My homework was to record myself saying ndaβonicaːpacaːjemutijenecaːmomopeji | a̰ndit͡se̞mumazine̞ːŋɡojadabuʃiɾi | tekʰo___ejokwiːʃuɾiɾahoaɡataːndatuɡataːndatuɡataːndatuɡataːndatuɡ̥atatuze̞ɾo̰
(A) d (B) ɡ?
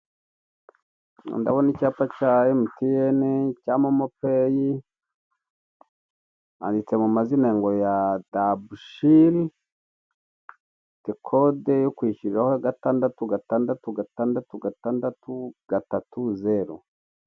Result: A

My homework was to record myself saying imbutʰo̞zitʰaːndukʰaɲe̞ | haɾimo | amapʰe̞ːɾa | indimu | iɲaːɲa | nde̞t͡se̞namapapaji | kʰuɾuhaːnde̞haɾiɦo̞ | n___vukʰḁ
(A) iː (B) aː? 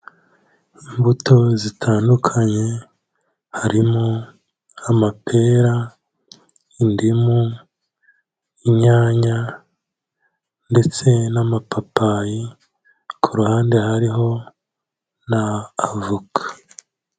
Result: B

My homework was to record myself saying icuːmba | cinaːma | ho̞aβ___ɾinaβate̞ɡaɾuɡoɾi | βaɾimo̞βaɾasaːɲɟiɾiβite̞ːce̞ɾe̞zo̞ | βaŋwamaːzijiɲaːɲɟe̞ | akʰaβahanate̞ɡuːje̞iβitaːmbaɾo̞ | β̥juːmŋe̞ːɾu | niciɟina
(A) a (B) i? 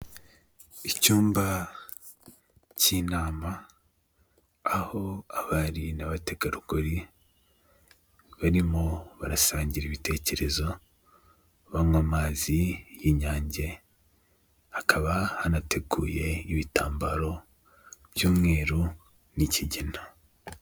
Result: A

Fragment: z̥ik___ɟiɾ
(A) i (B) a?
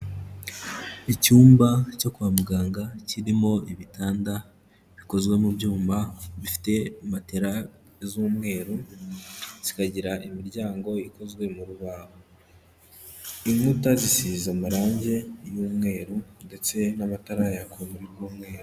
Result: B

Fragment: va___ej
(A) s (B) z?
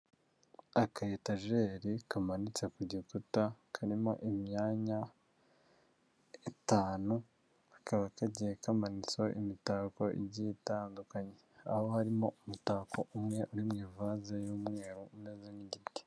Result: B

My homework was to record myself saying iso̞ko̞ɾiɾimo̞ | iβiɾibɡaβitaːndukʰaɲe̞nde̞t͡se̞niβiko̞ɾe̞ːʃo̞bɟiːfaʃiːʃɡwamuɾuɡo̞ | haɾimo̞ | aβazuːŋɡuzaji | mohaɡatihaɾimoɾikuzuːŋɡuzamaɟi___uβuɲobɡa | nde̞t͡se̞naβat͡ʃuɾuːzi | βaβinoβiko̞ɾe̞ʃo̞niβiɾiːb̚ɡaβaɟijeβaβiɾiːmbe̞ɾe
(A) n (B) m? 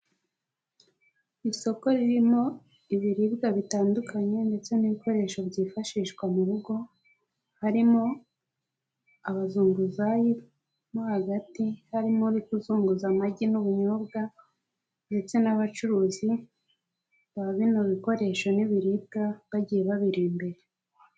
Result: A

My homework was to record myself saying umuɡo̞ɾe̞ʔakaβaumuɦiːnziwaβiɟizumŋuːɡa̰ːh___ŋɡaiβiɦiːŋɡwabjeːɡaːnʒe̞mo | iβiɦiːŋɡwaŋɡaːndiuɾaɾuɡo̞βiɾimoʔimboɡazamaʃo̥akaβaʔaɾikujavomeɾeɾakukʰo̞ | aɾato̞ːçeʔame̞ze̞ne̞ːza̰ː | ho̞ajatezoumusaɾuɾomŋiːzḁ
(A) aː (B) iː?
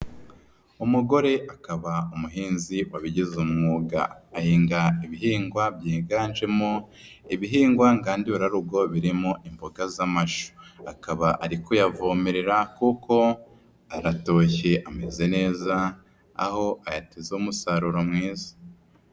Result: B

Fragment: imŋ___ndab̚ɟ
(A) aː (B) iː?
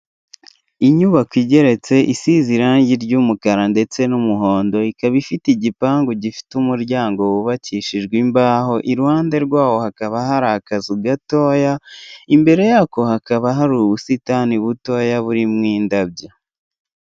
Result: B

